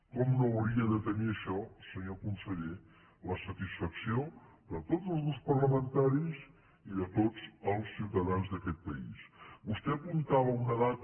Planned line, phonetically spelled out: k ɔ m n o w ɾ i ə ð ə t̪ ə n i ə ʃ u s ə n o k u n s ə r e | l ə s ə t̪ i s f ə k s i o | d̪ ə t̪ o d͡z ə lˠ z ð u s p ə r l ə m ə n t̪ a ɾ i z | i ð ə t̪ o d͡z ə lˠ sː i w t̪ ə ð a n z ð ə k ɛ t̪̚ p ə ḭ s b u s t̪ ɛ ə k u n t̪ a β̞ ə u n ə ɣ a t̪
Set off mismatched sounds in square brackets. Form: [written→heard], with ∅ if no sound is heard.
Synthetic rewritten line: k ɔ m n o w ɾ i ə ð ə t̪ ə n i ə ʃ [u→ɔ] s ə [n→ɲ] o k u n s ə [r→ʎ] e | l ə s ə t̪ i s f ə k s i o | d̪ ə t̪ o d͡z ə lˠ z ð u s p ə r l ə m ə n t̪ a ɾ i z | i ð ə t̪ o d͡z ə lˠ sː i w t̪ ə ð a n z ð ə k ɛ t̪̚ p ə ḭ s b u s t̪ ɛ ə [k→p] u n t̪ a β̞ ə u n ə [ɣ→ð] a t̪